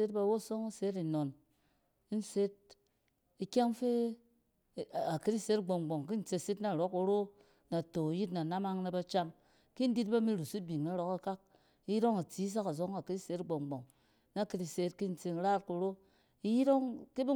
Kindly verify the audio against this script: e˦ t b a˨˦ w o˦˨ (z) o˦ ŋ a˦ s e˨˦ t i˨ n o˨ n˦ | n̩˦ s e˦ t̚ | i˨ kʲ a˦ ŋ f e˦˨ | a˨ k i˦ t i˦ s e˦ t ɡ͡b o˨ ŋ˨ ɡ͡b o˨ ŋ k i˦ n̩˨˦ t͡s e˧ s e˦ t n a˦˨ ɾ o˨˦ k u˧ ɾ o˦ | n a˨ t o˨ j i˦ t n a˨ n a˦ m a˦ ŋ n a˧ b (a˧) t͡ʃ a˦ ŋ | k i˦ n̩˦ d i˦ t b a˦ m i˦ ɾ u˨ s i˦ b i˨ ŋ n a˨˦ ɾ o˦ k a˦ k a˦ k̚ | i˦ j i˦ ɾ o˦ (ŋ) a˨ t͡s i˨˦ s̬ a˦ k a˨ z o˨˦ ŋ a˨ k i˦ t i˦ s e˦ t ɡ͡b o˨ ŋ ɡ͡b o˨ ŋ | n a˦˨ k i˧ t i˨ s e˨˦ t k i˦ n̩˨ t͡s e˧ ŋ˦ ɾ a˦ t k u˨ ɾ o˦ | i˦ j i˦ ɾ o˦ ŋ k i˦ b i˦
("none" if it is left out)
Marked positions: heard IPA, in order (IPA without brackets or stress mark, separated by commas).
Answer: s, a˧, ŋ